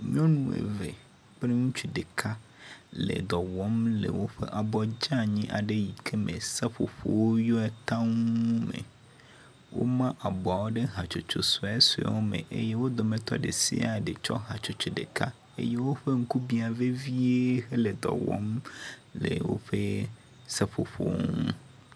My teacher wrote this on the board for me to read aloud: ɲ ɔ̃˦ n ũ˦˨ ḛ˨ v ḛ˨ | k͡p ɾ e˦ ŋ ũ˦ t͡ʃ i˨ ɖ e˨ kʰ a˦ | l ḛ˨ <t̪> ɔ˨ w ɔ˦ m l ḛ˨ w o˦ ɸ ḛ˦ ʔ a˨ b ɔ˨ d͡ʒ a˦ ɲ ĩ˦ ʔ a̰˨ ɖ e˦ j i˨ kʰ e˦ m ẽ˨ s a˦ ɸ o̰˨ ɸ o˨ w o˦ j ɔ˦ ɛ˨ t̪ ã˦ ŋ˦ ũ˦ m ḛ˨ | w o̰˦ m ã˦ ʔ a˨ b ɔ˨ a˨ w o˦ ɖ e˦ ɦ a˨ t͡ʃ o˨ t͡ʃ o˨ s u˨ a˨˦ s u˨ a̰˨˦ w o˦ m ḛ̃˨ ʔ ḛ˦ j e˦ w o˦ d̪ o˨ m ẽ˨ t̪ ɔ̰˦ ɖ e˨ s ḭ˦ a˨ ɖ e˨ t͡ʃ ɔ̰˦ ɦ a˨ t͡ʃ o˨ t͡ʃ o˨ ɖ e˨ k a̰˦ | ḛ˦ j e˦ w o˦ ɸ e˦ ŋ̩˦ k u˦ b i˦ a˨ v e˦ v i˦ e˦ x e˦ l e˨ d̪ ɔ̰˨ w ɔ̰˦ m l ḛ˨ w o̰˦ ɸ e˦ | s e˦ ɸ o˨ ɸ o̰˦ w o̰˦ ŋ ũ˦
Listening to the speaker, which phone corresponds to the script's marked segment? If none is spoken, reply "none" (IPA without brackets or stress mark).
d̪